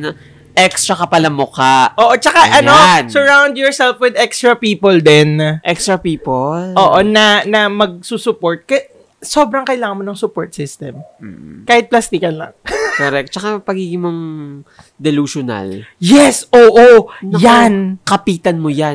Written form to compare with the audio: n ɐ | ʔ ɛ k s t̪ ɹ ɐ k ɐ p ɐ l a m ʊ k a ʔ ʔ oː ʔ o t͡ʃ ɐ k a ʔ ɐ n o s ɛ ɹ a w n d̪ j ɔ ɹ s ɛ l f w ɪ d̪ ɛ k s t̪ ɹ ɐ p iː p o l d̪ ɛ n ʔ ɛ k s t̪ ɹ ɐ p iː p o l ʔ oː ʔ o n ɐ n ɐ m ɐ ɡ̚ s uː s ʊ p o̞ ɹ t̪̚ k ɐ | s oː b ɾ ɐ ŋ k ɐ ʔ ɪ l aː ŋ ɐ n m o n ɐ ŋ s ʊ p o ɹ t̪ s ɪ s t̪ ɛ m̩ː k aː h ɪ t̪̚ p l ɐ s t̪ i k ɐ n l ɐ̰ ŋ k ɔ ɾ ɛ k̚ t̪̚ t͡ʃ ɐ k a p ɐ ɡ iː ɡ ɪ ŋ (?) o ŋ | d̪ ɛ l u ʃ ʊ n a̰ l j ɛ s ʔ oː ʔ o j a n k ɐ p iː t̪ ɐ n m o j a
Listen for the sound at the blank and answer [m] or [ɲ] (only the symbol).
m